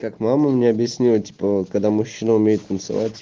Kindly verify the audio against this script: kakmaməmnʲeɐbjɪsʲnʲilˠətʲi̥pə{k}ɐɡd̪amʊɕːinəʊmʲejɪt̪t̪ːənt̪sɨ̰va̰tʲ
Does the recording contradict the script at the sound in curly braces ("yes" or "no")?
no